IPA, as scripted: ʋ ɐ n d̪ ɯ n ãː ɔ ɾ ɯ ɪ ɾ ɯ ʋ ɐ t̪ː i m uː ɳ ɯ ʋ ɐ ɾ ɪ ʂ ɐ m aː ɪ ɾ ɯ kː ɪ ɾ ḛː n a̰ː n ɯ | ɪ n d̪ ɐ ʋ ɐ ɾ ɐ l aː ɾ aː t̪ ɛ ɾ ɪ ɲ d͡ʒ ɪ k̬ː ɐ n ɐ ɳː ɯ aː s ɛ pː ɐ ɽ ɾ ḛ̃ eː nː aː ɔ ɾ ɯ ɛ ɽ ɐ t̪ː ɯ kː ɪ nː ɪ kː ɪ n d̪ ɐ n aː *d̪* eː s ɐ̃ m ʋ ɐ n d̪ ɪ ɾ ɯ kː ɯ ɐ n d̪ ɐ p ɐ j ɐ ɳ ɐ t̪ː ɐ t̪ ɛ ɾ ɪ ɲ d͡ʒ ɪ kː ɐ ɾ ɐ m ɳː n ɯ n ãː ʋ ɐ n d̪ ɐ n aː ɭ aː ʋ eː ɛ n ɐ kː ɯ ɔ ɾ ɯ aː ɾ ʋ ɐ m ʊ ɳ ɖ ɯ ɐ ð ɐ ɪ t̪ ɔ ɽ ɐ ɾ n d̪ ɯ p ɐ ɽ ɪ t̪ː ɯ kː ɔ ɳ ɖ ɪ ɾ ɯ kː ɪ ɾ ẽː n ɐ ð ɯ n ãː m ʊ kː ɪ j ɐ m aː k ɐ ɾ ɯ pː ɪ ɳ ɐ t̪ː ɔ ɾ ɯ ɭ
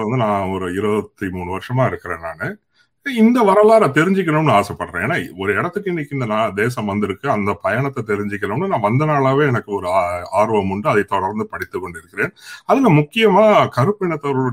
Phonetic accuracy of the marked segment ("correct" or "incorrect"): correct